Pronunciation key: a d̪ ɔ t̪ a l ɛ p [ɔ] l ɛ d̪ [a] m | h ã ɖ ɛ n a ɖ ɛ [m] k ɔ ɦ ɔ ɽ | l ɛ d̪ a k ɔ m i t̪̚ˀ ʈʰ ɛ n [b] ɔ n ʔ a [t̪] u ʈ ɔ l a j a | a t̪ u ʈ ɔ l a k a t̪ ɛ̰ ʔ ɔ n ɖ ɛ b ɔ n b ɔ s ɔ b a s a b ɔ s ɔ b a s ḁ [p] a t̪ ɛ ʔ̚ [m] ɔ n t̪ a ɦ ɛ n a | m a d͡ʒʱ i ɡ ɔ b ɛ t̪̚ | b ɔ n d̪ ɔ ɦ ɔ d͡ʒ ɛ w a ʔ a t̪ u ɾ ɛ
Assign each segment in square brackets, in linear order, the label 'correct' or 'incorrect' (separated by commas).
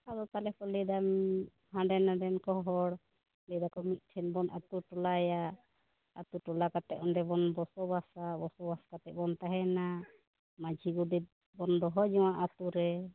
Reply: correct, correct, incorrect, correct, correct, incorrect, incorrect